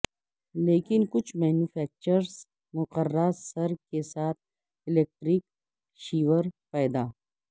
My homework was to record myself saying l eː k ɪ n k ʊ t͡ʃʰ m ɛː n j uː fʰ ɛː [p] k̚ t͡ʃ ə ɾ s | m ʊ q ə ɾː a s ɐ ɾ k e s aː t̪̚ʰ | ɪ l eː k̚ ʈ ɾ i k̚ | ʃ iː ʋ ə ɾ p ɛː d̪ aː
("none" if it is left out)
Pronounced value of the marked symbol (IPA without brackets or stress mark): none